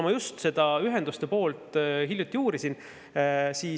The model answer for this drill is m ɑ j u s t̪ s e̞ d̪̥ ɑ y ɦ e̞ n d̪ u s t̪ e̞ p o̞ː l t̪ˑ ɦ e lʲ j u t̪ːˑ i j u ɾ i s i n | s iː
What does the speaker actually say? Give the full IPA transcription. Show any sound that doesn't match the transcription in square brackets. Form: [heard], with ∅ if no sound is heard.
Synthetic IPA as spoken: m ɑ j u s t̪ s e̞ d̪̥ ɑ y ɦ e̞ n d̪ u s t̪ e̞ p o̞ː l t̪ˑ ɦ [i] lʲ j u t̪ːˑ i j [uː] ɾ i s i n | s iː